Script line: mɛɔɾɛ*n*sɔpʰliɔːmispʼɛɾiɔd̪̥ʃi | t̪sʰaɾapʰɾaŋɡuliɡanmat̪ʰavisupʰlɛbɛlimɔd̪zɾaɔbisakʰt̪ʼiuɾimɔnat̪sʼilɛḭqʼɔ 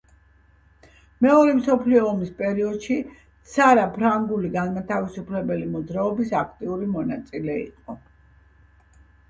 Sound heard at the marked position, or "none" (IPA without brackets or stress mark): m